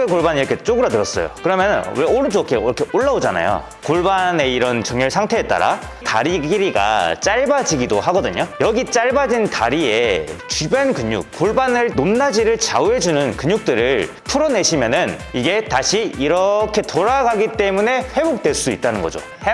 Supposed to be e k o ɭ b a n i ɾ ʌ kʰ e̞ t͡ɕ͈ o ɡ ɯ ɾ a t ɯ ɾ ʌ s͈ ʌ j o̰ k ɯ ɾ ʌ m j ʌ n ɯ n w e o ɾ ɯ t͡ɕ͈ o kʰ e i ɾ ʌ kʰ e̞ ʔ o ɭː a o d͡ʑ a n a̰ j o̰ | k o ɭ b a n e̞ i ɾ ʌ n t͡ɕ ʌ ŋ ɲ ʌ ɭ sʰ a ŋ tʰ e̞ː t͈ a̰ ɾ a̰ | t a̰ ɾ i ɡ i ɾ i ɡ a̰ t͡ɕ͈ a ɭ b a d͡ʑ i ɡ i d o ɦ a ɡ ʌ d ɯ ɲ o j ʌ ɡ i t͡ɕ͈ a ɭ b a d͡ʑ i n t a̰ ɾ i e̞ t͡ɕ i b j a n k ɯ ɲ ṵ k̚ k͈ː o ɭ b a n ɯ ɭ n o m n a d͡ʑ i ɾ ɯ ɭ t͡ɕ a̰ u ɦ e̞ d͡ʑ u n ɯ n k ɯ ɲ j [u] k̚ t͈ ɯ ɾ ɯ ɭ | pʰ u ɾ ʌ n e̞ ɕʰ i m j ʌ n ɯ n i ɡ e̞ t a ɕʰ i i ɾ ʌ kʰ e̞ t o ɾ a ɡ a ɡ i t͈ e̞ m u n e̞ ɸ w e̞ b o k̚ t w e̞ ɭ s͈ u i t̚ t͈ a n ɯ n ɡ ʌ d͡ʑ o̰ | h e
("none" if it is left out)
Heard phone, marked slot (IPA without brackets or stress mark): u